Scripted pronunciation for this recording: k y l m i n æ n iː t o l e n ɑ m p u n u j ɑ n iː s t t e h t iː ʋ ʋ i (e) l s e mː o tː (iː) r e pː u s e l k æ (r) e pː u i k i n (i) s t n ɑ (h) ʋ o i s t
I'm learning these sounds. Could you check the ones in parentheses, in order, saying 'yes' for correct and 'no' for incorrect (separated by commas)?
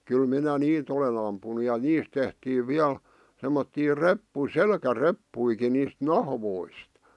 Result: no, yes, yes, no, yes